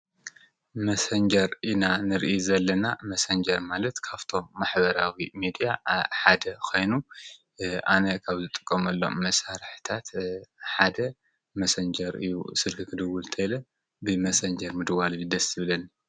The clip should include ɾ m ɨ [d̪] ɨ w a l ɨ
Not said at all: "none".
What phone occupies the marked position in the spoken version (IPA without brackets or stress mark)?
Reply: d̪